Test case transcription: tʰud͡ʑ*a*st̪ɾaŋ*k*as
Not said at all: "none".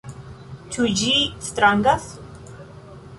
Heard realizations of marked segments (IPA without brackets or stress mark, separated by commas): i, ɡ